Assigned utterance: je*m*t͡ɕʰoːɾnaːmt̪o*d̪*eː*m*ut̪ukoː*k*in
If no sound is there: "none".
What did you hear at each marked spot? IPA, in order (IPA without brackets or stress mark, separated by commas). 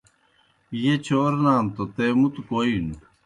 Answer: none, t̪, m, none